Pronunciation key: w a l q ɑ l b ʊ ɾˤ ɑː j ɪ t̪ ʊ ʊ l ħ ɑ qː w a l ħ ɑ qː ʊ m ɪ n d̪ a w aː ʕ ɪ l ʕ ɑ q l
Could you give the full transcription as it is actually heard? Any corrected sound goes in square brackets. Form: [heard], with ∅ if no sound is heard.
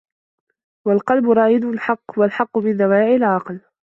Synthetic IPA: w a l q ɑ l b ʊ ɾˤ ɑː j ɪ [d̪] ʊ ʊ l ħ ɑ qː w a l ħ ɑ qː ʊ m ɪ n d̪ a w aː ʕ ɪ l ʕ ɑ q l